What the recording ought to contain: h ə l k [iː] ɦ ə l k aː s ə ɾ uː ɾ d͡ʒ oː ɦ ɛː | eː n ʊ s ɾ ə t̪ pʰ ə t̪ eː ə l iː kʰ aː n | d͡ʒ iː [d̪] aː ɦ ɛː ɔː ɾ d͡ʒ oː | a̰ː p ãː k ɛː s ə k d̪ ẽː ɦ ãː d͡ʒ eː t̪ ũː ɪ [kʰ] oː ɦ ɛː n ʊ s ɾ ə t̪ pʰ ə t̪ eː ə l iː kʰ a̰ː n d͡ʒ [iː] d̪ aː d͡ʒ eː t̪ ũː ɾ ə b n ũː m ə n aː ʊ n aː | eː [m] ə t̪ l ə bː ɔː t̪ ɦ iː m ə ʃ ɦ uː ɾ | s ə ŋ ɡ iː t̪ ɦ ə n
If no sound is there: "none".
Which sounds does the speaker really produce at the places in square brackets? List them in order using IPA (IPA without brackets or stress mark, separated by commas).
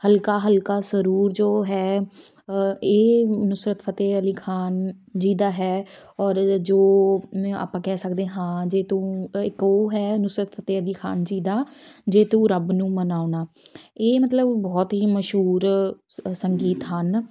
aː, d̪, k, iː, m